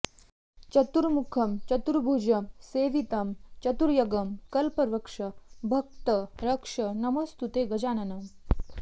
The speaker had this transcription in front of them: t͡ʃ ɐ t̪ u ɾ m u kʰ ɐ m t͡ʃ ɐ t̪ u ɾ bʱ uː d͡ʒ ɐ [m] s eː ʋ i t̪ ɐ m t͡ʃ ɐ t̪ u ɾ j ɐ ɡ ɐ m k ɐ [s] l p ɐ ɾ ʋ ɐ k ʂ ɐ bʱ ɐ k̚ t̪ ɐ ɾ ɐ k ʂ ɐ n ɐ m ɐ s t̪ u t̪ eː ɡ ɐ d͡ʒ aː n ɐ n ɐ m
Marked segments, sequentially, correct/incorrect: correct, incorrect

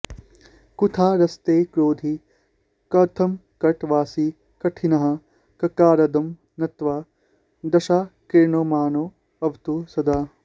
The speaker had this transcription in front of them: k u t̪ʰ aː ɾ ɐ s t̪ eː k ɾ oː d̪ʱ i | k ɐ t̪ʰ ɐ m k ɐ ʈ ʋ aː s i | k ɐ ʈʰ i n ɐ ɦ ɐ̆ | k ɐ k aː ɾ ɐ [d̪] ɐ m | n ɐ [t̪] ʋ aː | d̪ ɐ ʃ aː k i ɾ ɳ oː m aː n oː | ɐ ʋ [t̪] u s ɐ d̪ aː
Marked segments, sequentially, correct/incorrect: correct, correct, correct

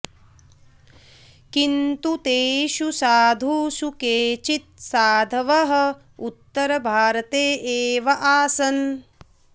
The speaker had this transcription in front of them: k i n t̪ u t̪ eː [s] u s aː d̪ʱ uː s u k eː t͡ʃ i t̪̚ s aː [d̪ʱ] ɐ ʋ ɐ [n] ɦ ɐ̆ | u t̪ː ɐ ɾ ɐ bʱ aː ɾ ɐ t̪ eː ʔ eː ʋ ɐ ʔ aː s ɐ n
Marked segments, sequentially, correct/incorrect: incorrect, correct, incorrect

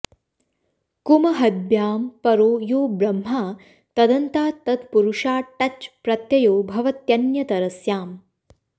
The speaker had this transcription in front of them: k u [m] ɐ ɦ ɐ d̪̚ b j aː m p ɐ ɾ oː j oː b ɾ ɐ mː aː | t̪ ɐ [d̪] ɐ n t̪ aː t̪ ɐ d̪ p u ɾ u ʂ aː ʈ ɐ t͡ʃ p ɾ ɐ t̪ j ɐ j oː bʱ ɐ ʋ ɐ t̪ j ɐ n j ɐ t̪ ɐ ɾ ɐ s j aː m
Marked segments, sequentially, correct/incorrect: correct, correct

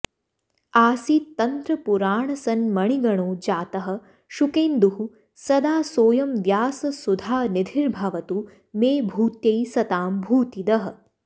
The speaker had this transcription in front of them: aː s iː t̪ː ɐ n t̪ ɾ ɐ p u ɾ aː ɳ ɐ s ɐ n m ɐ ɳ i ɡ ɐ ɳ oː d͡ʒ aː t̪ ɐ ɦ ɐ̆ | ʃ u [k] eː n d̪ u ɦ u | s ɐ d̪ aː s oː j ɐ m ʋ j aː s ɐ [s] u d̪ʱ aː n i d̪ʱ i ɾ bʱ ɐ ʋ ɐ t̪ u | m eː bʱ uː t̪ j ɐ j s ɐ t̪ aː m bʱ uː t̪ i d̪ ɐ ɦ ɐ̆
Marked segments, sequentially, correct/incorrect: correct, correct

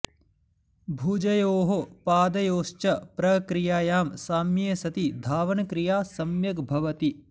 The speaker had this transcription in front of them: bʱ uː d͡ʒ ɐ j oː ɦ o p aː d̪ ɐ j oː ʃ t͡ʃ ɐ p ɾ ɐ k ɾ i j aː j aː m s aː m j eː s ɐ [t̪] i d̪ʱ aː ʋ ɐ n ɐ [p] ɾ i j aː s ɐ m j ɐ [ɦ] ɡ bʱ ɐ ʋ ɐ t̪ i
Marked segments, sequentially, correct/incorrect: correct, incorrect, incorrect

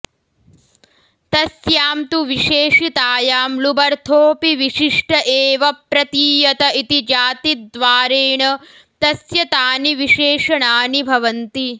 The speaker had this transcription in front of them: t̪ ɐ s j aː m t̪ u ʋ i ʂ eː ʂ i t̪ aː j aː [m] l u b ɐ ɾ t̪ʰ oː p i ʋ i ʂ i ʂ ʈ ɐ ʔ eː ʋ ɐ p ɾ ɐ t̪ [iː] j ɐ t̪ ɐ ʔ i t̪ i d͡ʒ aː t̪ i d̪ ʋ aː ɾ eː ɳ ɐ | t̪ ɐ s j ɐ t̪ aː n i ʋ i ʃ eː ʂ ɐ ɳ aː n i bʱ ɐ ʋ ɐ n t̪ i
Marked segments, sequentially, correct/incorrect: correct, correct

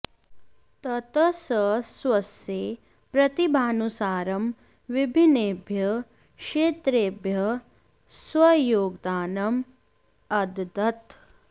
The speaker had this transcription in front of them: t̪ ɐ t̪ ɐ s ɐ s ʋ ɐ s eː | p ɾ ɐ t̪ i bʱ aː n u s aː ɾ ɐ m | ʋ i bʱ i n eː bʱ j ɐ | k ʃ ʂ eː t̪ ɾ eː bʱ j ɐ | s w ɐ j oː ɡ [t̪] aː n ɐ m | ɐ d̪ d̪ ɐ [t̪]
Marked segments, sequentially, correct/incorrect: incorrect, correct

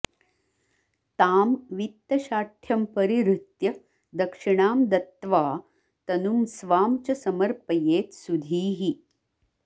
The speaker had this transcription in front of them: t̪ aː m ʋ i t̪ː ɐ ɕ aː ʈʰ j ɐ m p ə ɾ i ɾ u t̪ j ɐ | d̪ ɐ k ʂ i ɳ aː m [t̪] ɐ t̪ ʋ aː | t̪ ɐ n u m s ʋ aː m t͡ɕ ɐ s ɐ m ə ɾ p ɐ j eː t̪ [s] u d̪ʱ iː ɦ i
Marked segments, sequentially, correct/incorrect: incorrect, correct

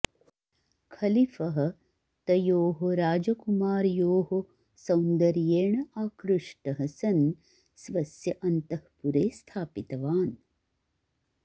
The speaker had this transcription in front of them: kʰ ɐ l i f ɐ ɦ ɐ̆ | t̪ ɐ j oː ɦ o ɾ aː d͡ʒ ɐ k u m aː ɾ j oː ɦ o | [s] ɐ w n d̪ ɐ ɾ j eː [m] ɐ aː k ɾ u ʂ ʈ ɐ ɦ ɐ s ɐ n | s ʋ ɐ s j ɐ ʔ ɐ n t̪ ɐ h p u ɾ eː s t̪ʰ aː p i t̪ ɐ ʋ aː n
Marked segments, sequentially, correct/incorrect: correct, incorrect

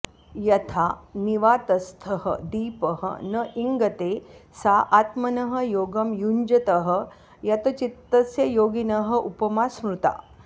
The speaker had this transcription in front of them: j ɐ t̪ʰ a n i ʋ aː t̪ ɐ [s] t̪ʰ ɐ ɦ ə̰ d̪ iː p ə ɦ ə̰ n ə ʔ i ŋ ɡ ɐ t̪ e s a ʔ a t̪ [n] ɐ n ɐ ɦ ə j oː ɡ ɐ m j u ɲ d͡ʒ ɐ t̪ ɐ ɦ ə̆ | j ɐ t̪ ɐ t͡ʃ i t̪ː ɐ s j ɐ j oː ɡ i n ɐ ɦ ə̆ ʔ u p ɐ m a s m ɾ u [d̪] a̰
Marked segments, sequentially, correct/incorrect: correct, incorrect, incorrect

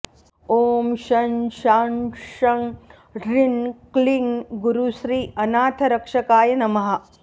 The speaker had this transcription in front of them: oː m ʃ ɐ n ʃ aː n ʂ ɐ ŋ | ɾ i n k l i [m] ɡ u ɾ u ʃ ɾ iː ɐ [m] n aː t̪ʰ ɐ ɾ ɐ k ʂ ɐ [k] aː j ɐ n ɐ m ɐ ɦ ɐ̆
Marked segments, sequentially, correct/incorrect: incorrect, incorrect, correct

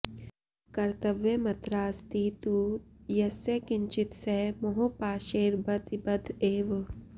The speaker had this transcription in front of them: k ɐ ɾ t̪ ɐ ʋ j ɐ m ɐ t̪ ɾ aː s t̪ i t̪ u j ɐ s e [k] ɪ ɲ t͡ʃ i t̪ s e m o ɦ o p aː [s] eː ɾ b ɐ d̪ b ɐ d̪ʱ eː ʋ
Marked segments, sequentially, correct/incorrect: correct, incorrect

